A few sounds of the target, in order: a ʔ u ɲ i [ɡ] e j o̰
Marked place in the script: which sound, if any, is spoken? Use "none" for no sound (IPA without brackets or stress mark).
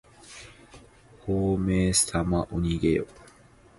ɡ